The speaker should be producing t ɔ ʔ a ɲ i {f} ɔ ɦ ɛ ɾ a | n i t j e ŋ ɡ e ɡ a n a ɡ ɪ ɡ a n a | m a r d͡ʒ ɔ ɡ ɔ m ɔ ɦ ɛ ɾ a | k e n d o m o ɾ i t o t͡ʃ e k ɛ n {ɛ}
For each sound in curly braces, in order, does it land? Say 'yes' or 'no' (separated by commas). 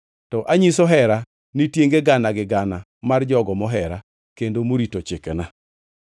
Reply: no, no